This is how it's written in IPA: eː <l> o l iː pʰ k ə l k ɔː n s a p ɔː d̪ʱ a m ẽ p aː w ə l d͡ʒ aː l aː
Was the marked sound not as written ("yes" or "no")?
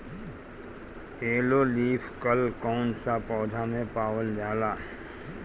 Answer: no